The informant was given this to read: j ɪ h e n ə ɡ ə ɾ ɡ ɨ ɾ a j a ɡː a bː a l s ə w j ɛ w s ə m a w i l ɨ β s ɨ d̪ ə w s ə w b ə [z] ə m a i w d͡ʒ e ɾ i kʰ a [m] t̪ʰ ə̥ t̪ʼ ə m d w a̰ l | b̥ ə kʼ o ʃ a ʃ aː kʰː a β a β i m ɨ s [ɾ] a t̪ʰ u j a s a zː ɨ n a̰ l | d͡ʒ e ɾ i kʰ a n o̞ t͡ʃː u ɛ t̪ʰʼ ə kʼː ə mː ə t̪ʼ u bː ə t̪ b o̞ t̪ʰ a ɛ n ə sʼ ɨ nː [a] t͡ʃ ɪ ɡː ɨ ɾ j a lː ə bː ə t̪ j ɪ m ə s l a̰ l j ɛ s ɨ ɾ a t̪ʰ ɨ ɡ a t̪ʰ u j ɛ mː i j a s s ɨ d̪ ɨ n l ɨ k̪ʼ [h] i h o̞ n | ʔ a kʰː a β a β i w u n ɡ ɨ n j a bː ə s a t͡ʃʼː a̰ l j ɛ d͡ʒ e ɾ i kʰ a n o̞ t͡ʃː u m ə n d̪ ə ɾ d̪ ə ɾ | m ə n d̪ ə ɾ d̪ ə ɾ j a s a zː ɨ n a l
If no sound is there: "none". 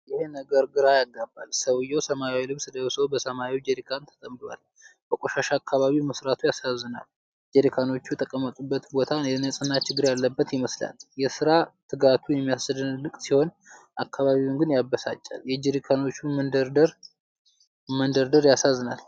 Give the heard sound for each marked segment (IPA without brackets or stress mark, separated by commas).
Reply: s, n, ɾ, a, s